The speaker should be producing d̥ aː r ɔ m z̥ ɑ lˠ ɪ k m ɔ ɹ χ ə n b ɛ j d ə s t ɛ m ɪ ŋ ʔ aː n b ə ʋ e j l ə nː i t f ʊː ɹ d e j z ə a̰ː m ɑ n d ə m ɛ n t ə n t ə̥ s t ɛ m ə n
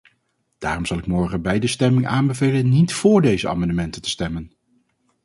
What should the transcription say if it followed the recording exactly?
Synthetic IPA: d̥ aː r ɔ m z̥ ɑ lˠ ɪ k m ɔ ɹ χ ə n b ɛ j d ə s t ɛ m ɪ ŋ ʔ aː n b ə v e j l ə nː i t f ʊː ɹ d e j z ə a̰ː m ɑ n d ə m ɛ n t ə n t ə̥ s t ɛ m ə n

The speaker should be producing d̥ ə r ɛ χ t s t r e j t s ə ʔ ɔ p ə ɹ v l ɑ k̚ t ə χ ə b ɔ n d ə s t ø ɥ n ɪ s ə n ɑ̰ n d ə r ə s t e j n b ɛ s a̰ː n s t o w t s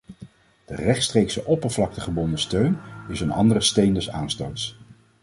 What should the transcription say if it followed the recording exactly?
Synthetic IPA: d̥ ə r ɛ χ t s t r e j k s ə ʔ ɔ p ə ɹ v l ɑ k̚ t ə χ ə b ɔ n d ə s t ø ɥ n ɪ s ə n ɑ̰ n d ə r ə s t e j n d ɛ s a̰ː n s t o w t s

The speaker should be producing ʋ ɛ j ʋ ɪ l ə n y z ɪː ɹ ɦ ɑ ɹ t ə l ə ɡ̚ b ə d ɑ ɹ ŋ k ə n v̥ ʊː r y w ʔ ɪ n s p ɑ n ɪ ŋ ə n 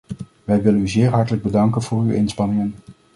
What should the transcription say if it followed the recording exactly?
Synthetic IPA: ʋ ɛ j ʋ ɪ l ə n y z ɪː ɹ ɦ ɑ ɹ t ə l ə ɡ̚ b ə d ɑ ŋ k ə n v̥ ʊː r y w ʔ ɪ n s p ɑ n ɪ ŋ ə n

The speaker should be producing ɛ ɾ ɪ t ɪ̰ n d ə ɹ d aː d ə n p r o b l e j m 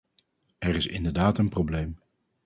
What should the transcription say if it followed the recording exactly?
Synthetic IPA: ɛ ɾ ɪ s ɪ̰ n d ə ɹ d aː t ə n p r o b l e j m

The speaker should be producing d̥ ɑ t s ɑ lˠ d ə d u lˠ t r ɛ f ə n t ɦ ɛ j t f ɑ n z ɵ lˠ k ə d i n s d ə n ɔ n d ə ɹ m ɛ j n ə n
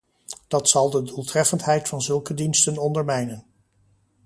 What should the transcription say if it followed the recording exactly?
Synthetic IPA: d̥ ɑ t s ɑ lˠ d ə d u lˠ t r ɛ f ə n t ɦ ɛ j t f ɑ n z ɵ lˠ k ə d i n s t ə n ɔ n d ə ɹ m ɛ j n ə n

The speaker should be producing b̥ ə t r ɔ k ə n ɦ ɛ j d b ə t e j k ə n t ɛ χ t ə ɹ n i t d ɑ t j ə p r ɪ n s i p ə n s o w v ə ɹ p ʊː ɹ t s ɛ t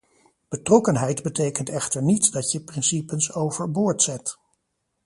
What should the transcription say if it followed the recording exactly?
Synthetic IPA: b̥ ə t r ɔ k ə n ɦ ɛ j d b ə t e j k ə n t ɛ χ t ə ɹ n i t d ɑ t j ə p r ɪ n s i p ə n s o w v ə ɹ b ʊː ɹ t s ɛ t

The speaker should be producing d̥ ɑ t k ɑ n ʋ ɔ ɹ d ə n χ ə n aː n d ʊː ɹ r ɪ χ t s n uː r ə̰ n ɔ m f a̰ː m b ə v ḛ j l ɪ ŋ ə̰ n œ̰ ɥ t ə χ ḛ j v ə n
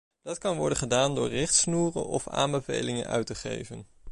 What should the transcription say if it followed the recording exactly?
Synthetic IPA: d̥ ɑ t k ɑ n ʋ ɔ ɹ d ə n χ ə d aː n d ʊː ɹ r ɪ χ t s n uː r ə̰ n ɔ f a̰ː m b ə v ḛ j l ɪ ŋ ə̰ n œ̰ ɥ t ə χ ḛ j v ə n

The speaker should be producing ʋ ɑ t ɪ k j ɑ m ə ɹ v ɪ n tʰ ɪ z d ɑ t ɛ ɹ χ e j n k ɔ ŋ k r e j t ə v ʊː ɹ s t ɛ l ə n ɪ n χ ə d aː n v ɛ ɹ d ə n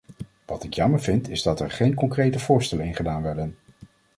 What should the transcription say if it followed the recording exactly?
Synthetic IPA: ʋ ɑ t ɪ k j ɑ m ə ɹ v ɪ n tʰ ɪ z d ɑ t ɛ ɹ χ e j n k ɔ ŋ k r e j t ə v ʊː ɹ s t ɛ l ə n ɪ n χ ə d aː n ʋ ɛ ɹ d ə n

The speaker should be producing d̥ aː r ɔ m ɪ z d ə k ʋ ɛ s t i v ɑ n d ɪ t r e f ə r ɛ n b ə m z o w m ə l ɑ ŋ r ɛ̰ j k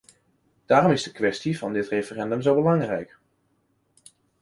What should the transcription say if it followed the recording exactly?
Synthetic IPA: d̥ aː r ɔ m ɪ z d ə k ʋ ɛ s t i v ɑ n d ɪ t r e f ə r ɛ n d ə m z o w b ə l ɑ ŋ r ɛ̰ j k

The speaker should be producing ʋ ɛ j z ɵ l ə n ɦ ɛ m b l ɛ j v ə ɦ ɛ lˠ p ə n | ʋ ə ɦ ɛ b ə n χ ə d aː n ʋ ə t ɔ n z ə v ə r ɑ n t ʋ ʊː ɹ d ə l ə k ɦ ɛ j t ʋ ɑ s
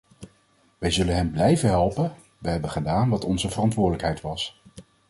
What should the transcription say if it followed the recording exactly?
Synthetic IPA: ʋ ɛ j z ɵ l ə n ɦ ɛ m b l ɛ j v ə ɦ ɛ lˠ p ə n | ʋ ə ɦ ɛ b ə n χ ə d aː n ʋ ɑ t ɔ n z ə v ə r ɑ n t ʋ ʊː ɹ d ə l ə k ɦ ɛ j t ʋ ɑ s

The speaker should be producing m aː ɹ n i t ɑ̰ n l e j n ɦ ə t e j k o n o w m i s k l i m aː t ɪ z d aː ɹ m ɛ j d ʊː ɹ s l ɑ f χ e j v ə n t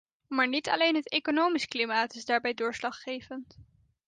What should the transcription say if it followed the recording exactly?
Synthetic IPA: m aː ɹ n i t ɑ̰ l e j n ɦ ə t e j k o n o w m i s k l i m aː t ɪ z d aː ɹ b ɛ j d ʊː ɹ s l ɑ χ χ e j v ə n t

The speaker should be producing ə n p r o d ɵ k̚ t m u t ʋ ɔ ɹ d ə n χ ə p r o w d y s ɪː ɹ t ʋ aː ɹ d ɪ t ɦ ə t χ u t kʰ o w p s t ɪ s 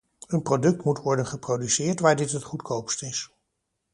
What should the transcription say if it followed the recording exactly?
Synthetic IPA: ə n p r o d ɵ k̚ t m u t ʋ ɔ ɹ d ə n χ ə p r o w d y s ɪː ɹ t ʋ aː ɹ d ɪ t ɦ ə t χ u t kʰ o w p s t ɪ s

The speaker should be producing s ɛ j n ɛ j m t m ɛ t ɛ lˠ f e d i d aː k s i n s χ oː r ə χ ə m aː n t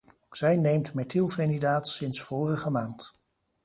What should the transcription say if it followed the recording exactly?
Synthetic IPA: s ɛ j n e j m t m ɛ t i lˠ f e n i d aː t s ɪ n s f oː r ə χ ə m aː n t

